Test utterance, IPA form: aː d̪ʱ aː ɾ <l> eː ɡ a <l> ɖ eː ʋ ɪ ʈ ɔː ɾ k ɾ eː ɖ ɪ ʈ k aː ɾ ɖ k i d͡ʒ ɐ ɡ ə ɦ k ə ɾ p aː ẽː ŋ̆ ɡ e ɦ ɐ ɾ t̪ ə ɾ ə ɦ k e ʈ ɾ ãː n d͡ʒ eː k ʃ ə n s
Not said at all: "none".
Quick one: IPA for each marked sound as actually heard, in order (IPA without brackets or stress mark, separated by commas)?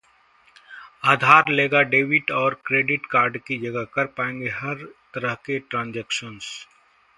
l, none